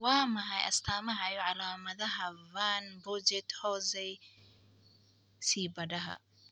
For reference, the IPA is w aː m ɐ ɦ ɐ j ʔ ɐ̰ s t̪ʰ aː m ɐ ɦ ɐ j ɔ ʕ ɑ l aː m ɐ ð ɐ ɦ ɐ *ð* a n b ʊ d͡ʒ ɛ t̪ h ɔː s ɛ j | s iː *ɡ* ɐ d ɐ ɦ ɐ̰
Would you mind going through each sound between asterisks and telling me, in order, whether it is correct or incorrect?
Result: incorrect: v, incorrect: b

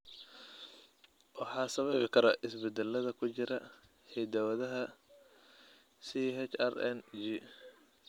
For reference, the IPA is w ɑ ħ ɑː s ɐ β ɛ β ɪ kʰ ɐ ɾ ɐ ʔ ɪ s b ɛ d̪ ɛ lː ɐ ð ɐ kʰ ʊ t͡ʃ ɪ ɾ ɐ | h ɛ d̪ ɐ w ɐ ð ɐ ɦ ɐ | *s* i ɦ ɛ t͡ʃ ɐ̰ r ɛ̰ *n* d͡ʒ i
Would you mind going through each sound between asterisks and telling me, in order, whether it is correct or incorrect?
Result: correct, correct

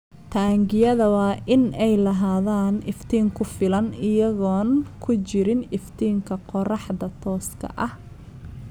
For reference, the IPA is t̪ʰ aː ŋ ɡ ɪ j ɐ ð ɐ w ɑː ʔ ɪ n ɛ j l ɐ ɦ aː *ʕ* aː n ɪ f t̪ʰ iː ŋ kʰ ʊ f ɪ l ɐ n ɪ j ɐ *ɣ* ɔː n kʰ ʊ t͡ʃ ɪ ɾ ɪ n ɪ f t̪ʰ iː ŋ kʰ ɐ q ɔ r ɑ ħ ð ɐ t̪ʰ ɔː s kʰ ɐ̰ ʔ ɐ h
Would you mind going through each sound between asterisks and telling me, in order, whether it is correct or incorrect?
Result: incorrect: ð, correct

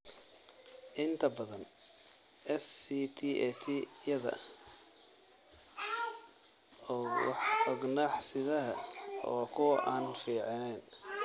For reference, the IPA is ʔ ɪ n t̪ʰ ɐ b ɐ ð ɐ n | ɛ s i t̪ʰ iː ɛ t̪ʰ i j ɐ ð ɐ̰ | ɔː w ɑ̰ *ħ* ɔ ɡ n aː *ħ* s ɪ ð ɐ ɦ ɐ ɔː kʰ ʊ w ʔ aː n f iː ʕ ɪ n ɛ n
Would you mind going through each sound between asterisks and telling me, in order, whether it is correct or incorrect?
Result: correct, correct

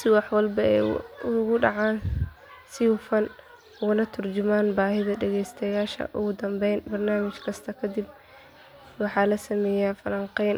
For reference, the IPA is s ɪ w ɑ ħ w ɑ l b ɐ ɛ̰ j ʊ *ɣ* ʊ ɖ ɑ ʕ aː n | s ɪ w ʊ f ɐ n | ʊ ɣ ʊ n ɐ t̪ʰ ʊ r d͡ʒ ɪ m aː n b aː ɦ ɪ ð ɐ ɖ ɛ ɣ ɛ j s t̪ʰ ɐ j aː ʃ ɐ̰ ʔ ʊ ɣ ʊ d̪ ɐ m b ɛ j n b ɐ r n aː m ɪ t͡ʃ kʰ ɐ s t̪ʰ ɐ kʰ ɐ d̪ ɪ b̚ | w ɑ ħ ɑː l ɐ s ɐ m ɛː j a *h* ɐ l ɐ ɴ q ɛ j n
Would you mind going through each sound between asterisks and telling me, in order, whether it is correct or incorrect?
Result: correct, incorrect: f

